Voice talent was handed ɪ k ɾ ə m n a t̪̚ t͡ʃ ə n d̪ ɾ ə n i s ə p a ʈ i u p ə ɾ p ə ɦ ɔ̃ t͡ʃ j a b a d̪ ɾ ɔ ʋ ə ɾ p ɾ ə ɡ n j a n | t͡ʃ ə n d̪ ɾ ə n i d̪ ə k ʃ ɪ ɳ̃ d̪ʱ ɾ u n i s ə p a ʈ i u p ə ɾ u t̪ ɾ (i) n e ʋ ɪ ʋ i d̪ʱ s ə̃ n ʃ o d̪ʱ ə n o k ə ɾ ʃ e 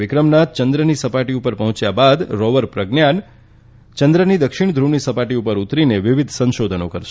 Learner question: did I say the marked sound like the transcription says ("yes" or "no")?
yes